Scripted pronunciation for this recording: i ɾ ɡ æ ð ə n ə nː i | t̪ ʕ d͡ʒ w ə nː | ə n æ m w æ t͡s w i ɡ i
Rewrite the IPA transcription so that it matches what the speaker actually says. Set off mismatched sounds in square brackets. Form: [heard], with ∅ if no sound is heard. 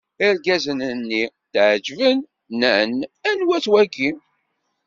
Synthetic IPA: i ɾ ɡ æ [z] ə n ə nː i | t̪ ʕ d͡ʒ [v] ə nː | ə n æ [n] w æ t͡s w [æ] ɡ i